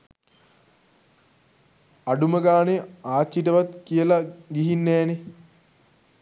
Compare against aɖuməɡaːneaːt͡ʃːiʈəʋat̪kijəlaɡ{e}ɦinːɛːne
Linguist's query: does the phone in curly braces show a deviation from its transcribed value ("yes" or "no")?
yes